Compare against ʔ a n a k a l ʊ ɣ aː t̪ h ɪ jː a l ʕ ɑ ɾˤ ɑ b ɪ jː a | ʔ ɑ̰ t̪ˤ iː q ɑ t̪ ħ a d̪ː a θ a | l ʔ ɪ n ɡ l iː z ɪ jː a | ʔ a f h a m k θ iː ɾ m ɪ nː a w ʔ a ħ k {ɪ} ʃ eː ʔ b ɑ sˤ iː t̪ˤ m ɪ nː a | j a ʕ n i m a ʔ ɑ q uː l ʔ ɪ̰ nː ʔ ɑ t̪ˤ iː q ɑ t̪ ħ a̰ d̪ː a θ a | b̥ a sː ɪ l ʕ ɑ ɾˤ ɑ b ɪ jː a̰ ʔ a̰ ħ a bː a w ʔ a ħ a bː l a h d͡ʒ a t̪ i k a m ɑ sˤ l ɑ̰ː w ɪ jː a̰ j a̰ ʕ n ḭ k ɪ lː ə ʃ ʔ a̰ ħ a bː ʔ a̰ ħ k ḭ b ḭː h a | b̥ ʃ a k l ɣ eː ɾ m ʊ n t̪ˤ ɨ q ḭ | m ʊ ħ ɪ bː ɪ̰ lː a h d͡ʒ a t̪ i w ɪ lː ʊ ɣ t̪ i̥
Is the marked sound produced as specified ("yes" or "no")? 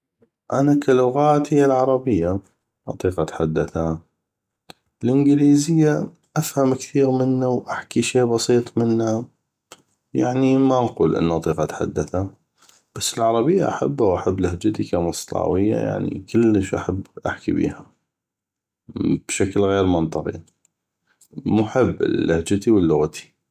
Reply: no